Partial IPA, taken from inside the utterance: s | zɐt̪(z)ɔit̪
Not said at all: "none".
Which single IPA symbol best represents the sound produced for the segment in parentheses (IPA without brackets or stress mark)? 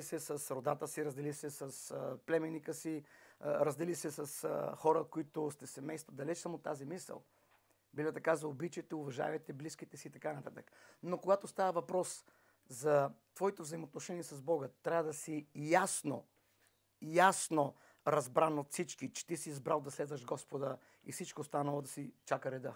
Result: v